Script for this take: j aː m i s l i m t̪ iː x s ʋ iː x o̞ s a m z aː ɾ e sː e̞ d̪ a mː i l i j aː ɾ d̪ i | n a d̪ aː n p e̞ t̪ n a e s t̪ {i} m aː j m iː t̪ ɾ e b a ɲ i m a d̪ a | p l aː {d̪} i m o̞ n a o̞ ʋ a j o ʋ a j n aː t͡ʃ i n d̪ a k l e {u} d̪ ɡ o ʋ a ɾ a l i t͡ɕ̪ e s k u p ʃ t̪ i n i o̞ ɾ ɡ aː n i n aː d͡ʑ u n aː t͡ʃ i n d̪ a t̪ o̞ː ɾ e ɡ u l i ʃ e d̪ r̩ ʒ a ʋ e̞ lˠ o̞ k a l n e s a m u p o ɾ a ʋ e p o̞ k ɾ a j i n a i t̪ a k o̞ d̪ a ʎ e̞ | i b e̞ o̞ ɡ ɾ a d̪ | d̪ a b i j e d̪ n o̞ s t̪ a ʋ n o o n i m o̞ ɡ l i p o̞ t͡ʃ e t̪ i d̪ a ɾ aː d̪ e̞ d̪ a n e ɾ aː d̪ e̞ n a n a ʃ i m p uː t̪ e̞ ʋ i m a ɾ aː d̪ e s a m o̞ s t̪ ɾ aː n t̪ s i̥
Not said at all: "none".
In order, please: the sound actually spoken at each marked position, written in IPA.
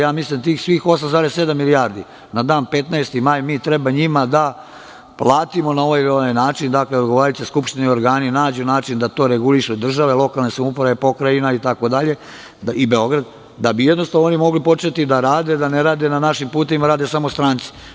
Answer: i, t̪, o

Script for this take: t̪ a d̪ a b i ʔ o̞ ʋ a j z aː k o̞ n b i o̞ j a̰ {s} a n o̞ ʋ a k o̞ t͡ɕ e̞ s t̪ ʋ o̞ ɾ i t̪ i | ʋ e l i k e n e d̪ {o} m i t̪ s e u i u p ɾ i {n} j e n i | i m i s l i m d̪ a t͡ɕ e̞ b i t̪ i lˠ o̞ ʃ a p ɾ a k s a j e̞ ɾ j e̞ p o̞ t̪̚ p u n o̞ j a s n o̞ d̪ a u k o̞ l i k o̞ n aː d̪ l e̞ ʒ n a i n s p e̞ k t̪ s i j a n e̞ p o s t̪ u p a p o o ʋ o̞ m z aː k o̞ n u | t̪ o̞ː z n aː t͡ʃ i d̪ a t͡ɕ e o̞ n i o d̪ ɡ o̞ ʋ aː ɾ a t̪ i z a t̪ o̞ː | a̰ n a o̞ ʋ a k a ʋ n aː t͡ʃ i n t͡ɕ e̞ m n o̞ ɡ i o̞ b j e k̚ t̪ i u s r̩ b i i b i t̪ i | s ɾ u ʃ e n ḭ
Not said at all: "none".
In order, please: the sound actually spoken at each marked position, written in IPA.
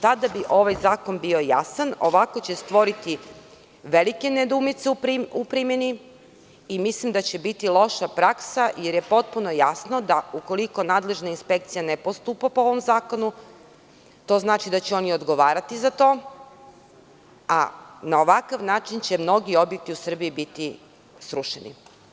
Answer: s, u, m

